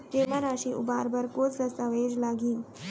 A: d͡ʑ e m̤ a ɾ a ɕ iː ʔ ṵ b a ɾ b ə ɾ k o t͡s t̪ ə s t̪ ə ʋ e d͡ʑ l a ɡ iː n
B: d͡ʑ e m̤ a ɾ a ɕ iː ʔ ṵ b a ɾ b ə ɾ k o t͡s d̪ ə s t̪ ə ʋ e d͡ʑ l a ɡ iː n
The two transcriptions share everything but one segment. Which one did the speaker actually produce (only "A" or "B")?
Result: B